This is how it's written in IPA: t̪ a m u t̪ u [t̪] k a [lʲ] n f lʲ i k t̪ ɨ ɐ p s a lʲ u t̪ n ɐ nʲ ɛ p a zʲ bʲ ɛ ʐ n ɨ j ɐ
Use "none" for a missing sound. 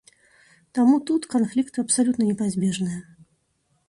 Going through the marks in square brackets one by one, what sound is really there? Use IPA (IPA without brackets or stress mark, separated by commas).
t̪, none